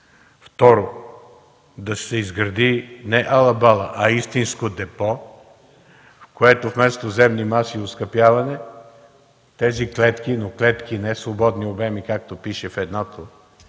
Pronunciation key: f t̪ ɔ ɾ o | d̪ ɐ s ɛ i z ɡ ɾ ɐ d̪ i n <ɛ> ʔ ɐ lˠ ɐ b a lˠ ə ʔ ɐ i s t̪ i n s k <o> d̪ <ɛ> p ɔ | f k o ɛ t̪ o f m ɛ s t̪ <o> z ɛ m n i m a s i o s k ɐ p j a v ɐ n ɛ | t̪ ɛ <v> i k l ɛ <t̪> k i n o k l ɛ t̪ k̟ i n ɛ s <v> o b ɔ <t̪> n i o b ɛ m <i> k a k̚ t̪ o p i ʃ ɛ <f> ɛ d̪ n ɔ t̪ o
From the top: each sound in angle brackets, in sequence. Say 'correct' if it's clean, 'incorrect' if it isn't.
correct, correct, correct, correct, incorrect: z, correct, correct, incorrect: d̪, correct, correct

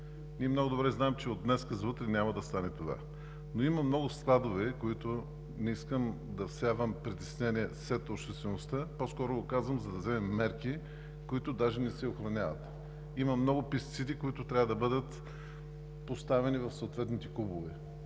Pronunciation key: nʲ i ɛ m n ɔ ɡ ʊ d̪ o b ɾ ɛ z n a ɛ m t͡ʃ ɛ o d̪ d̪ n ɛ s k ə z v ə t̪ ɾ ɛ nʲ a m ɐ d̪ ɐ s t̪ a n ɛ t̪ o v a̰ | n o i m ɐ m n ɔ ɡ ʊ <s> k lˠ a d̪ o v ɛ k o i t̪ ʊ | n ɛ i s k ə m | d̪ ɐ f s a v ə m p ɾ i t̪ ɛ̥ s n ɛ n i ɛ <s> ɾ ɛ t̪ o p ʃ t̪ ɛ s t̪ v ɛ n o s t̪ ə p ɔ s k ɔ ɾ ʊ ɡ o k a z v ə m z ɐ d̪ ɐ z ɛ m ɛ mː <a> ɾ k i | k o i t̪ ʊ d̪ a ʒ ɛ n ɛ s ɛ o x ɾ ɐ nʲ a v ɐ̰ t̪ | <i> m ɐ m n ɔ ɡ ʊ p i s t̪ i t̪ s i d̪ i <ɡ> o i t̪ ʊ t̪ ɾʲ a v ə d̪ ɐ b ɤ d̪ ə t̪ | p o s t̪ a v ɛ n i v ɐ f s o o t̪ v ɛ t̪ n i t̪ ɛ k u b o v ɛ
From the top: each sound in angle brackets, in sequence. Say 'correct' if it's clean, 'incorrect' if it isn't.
correct, correct, incorrect: ɛ, correct, incorrect: k

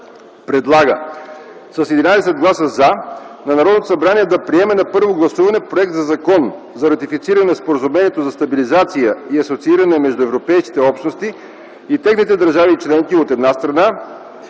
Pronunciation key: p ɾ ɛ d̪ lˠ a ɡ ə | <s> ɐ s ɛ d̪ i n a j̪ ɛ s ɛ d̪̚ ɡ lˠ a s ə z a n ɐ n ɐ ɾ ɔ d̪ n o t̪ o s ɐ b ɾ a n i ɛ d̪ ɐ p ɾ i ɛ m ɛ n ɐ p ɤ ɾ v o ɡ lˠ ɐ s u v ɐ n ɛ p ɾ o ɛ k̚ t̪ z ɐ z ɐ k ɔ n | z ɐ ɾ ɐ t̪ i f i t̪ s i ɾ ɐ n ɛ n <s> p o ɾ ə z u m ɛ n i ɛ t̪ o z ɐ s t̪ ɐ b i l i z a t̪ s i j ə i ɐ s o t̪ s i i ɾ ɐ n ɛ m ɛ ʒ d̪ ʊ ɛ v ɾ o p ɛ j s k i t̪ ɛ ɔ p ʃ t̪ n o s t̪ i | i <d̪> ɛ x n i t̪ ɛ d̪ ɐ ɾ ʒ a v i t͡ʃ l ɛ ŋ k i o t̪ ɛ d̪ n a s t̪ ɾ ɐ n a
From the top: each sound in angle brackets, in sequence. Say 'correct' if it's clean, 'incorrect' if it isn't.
correct, correct, incorrect: t̪

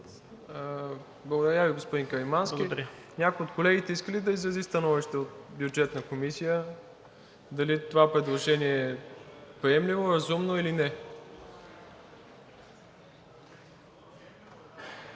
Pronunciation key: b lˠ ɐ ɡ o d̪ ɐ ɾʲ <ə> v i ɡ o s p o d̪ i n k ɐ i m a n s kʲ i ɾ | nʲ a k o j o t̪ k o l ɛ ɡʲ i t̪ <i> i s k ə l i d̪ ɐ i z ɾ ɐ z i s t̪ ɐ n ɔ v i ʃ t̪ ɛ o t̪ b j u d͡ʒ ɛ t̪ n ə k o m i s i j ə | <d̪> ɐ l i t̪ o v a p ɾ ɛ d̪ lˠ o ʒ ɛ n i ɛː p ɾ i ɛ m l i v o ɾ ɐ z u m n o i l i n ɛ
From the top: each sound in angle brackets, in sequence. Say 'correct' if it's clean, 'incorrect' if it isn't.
incorrect: a, incorrect: ɛ, correct

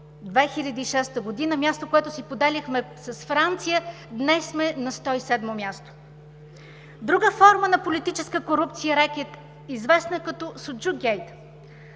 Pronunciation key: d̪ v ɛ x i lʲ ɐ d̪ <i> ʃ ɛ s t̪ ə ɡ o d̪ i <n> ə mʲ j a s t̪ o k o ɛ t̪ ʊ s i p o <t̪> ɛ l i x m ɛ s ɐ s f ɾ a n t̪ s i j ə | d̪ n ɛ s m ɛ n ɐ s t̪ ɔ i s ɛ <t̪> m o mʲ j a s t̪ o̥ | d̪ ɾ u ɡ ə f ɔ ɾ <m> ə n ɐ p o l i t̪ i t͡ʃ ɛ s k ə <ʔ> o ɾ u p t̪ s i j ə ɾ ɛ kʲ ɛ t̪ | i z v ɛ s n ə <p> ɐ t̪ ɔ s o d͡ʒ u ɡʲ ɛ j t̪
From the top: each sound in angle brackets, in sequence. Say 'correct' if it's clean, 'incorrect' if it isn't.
incorrect: iː, correct, incorrect: d̪, incorrect: d̪, correct, incorrect: k, incorrect: k

